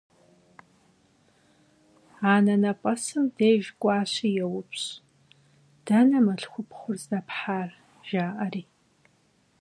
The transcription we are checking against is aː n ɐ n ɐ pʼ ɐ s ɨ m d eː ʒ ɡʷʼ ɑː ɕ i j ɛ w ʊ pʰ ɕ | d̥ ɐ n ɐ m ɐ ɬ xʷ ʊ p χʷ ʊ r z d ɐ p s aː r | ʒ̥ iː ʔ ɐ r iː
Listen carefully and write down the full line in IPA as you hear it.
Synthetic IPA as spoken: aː n ɐ n ɐ pʼ ɐ s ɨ m d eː ʒ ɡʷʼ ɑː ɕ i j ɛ w ʊ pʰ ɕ | d̥ ɐ n ɐ m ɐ ɬ xʷ ʊ p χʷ ʊ r z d ɐ p ħ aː r | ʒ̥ aː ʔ ɐ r iː